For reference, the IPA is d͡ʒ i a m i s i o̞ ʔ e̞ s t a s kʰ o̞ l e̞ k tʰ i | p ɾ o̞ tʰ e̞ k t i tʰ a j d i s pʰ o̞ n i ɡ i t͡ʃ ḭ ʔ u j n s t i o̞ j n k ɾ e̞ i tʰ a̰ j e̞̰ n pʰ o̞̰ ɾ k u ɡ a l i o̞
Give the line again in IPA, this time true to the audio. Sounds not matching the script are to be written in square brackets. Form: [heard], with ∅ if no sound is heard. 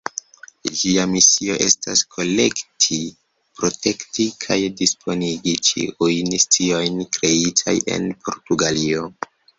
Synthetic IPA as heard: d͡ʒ i a m i s i o̞ ʔ e̞ s t a s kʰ o̞ l e̞ k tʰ i | p ɾ o̞ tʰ e̞ k t i [kʰ] a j d i s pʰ o̞ n i ɡ i t͡ʃ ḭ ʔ u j n s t i o̞ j n k ɾ e̞ i tʰ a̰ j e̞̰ n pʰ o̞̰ ɾ [t] u ɡ a l i o̞